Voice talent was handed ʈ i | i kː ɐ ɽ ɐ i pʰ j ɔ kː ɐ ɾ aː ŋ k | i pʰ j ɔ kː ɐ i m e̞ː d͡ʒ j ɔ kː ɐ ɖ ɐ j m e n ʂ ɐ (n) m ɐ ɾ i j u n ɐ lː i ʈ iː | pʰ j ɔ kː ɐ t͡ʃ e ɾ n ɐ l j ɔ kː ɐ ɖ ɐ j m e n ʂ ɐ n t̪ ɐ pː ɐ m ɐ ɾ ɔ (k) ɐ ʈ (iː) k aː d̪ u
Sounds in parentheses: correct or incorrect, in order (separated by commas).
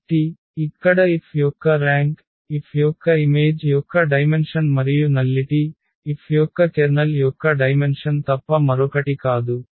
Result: correct, correct, incorrect